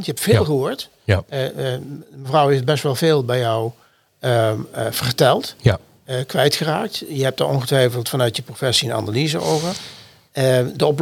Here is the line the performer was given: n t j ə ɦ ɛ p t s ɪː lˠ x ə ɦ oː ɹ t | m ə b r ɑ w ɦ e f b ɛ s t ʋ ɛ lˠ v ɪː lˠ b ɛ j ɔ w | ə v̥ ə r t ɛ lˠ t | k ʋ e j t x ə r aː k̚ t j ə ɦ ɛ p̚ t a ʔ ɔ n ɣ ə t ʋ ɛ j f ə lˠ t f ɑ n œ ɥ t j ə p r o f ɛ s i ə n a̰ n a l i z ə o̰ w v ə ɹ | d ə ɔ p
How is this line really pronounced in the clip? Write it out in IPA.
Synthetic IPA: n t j ə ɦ ɛ p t f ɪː lˠ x ə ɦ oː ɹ t | m ə v r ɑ w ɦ e f b ɛ s t ʋ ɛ lˠ v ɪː lˠ b ɛ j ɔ w | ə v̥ ə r t ɛ lˠ t | k ʋ ɛ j t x ə r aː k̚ t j ə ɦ ɛ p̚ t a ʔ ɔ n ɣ ə t ʋ ɛ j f ə lˠ t f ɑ n œ ɥ t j ə p r o f ɛ s i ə n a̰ n a l i z ə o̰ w v ə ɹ | d ə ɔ p